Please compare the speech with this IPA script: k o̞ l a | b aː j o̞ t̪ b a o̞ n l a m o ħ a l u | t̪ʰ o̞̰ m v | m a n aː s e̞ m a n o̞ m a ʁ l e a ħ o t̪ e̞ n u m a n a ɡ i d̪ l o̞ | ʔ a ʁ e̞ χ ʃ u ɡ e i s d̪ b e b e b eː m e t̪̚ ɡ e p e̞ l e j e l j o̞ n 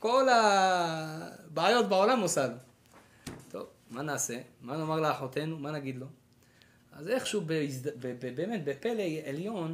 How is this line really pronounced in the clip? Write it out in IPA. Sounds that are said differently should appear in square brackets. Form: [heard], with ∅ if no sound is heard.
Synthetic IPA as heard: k o̞ l a | b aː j o̞ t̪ b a o̞ [∅] l a m o [s] a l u | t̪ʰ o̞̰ [∅] v | m a n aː s e̞ m a n o̞ m a ʁ l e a ħ o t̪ e̞ n u m a n a ɡ i d̪ l o̞ | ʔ a [z] e̞ χ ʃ u [b] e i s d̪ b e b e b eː m e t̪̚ [b] e p e̞ l e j e l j o̞ n